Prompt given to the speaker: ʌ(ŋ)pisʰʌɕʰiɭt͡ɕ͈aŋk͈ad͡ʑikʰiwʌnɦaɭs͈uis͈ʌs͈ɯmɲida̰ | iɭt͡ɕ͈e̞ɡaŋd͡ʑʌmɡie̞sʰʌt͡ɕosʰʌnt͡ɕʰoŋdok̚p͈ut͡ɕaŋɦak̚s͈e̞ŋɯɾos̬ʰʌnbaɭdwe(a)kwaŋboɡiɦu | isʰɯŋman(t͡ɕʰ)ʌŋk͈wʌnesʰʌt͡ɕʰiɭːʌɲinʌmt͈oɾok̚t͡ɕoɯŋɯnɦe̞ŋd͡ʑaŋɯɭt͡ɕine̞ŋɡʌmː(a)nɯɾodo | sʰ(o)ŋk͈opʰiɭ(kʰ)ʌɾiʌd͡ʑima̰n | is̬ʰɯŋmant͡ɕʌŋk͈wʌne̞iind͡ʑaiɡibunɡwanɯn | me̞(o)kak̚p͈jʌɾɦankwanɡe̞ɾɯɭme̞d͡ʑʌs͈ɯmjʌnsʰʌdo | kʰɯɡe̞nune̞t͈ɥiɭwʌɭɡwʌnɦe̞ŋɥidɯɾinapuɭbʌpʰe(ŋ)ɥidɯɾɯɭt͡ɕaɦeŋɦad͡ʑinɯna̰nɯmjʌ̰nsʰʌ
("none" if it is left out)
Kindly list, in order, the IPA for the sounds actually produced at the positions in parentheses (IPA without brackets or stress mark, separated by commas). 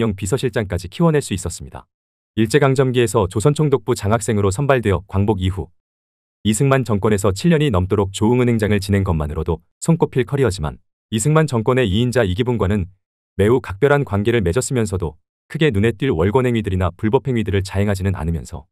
ŋ, ʌ, t͡ɕ, a, o, kʰ, u, ŋ